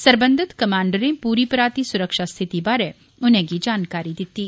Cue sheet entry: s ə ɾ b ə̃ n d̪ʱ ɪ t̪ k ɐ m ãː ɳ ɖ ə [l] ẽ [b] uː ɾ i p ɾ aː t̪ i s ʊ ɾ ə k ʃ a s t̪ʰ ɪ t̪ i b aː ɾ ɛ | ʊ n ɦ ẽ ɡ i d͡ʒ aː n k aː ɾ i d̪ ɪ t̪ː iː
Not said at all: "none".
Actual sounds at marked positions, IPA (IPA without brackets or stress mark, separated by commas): ɾ, p